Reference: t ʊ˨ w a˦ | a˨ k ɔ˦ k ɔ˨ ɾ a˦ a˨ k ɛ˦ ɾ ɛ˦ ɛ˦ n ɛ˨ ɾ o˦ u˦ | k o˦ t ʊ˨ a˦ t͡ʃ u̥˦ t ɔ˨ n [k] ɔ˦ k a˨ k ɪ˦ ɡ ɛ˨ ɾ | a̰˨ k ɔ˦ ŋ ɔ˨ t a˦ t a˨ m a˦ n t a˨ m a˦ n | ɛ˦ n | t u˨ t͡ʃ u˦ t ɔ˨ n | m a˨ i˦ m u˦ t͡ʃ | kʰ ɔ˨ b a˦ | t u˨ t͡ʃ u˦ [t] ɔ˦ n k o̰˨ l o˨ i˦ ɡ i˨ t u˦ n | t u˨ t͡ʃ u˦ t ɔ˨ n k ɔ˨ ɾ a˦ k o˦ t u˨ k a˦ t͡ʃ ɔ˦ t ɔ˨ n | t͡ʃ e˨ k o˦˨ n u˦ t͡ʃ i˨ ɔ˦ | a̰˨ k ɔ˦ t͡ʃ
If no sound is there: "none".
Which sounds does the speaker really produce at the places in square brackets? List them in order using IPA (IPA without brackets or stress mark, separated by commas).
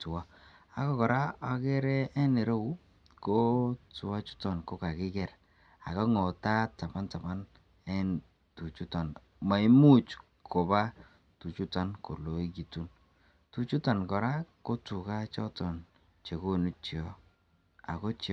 k, t